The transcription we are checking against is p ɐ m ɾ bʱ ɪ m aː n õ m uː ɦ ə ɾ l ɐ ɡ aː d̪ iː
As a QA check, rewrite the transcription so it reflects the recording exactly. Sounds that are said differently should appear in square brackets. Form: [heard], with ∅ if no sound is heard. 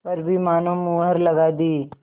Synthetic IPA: p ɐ [∅] ɾ bʱ [i] m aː n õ m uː ɦ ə ɾ l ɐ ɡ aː d̪ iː